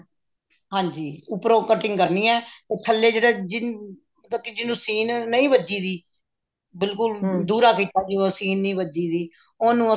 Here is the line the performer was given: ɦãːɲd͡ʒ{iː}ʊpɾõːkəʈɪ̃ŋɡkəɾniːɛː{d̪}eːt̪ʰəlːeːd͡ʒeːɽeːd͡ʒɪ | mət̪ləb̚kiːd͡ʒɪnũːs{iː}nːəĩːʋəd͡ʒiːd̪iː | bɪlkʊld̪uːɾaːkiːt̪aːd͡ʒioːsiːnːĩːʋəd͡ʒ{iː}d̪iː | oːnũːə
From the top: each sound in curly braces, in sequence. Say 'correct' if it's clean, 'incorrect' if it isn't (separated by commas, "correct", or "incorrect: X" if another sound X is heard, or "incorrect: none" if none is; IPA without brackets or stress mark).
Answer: correct, incorrect: t̪, correct, correct